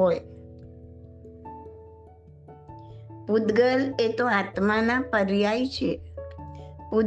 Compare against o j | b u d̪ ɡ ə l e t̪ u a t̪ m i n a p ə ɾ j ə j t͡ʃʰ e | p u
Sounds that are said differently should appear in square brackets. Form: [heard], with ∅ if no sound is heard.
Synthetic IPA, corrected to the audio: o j | [p] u d̪ ɡ ə l e t̪ [o] a t̪ m [a] n a p ə ɾ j [a] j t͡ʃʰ e | p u